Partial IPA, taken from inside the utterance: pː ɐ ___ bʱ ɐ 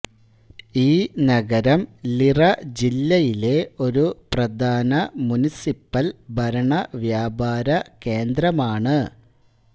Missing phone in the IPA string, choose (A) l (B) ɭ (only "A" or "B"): A